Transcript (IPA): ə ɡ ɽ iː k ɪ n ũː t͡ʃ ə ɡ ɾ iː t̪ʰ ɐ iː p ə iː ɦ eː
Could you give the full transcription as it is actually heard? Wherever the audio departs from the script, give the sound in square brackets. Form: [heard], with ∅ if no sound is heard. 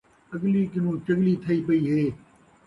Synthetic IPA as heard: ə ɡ [l] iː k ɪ n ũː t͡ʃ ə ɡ [l] iː t̪ʰ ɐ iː p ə iː ɦ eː